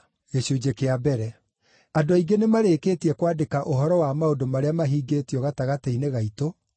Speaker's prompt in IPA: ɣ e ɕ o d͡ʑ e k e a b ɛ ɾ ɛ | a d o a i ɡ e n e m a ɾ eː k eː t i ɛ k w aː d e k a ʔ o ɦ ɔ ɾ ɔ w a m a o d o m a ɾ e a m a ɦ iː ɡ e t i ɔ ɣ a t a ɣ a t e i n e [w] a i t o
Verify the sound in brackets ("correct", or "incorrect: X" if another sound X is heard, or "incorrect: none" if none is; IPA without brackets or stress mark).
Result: incorrect: ɣ